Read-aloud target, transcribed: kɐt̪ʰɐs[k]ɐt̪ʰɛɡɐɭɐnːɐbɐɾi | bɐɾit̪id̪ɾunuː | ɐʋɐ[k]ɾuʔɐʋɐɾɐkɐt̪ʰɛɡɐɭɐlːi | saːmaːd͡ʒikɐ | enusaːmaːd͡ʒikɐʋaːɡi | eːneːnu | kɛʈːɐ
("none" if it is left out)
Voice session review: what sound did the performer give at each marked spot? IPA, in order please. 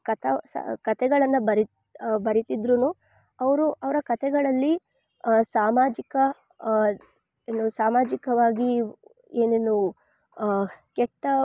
k, none

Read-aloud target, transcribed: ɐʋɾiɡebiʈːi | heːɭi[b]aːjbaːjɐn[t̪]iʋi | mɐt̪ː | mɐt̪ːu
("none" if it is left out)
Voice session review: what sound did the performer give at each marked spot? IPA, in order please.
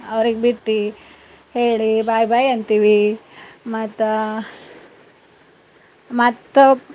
b, t̪

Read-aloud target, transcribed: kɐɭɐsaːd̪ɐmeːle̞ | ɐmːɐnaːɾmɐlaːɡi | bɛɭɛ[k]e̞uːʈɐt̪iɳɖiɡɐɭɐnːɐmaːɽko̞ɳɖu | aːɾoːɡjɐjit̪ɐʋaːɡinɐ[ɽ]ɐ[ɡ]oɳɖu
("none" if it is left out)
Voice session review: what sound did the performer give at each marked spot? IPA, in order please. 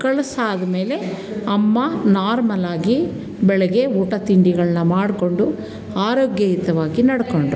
ɡ, ɽ, k

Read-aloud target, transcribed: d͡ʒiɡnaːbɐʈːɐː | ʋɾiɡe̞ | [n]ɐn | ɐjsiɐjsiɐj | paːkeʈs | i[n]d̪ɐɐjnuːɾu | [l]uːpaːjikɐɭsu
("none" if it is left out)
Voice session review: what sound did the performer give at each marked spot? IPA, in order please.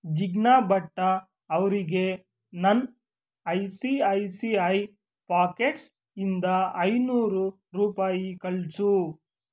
n, n, ɾ

